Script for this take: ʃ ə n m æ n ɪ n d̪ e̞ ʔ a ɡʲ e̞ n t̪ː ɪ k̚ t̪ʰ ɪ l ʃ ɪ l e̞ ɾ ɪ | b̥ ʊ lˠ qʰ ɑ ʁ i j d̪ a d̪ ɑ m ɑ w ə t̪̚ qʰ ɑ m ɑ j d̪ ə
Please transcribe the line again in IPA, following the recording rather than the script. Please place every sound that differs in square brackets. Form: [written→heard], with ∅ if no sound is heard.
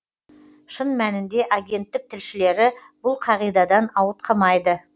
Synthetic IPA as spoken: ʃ ə n m æ n ɪ n d̪ e̞ ʔ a ɡʲ e̞ n t̪ː ɪ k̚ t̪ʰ ɪ l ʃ ɪ l e̞ ɾ ɪ | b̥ ʊ lˠ qʰ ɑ ʁ i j d̪ [a→ɑ] d̪ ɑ [m→n] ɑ w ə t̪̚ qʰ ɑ m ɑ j d̪ ə